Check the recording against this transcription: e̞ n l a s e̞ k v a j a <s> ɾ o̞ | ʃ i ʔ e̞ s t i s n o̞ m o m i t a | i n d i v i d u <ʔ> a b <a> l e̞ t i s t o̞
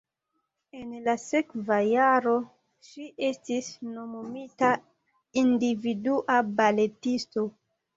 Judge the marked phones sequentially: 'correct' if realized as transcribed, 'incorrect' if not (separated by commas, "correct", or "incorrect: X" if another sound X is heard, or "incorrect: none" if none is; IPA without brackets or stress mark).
incorrect: none, correct, correct